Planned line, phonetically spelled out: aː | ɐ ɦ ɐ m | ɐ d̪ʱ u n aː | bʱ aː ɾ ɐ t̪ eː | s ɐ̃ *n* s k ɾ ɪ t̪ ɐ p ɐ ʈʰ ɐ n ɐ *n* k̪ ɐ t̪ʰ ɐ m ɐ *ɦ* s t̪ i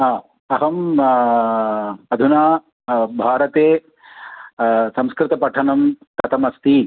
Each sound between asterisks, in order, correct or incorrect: incorrect: m, incorrect: m, incorrect: none

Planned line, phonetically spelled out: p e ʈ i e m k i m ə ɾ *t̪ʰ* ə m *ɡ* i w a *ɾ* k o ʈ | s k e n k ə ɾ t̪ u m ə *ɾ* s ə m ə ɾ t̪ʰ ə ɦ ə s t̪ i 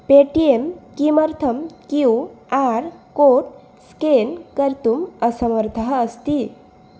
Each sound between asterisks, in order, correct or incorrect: correct, incorrect: k, correct, incorrect: none

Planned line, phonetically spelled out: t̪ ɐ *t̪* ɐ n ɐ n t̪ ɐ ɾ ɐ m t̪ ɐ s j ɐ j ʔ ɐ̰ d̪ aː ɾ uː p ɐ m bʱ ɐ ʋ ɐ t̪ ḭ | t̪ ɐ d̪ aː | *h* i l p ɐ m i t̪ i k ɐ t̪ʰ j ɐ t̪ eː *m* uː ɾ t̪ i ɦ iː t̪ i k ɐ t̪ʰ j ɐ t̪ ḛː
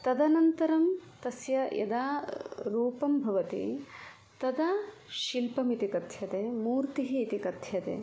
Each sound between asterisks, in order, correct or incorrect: incorrect: d̪, incorrect: ʃ, correct

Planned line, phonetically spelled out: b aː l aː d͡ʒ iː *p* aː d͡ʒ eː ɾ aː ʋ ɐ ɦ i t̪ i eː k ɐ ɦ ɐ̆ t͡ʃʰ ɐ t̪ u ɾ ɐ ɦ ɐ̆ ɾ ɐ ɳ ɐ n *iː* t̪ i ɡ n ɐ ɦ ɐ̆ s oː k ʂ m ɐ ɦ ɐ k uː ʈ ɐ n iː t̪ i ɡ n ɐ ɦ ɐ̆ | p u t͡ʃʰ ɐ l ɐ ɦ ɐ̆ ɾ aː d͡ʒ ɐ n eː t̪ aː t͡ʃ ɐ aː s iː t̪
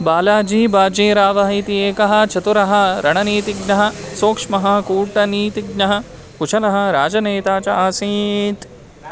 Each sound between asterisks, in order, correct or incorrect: incorrect: b, correct

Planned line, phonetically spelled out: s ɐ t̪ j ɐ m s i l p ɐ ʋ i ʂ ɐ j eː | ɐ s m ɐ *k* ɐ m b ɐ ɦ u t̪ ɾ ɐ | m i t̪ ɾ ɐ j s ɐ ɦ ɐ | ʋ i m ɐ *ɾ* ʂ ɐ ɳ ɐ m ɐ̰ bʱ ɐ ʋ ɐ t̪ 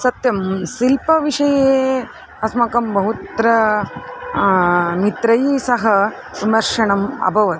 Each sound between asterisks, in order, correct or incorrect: correct, correct

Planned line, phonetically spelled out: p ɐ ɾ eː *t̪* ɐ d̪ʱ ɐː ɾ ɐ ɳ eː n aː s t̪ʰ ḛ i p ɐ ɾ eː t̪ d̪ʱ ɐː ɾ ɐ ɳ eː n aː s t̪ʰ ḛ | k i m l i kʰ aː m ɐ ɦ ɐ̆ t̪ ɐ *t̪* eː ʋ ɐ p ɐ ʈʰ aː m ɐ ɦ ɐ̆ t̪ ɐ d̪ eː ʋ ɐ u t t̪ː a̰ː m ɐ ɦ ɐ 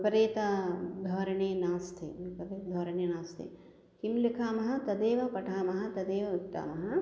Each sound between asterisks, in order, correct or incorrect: correct, incorrect: d̪

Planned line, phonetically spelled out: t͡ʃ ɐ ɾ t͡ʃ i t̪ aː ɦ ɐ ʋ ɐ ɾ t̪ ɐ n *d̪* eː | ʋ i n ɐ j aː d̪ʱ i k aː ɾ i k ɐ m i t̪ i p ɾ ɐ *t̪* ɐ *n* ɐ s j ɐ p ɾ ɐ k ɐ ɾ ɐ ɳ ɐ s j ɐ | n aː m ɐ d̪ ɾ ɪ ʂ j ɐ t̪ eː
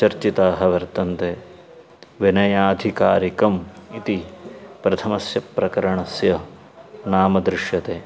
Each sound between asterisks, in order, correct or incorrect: incorrect: t̪, incorrect: t̪ʰ, incorrect: m

